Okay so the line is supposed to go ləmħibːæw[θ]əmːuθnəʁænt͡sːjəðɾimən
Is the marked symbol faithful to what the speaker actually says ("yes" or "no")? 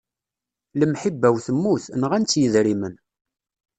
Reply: yes